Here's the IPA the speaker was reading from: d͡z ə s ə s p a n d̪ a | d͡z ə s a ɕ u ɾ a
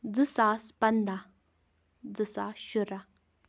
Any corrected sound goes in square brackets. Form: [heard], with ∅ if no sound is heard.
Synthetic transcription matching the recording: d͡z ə s [a] s p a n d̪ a | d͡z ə s a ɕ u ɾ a